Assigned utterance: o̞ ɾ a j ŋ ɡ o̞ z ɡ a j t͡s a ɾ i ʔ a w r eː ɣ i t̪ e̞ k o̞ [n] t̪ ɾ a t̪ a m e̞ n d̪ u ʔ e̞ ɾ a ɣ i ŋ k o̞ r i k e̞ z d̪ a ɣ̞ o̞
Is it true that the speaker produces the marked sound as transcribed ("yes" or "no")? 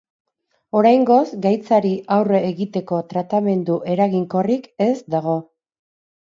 no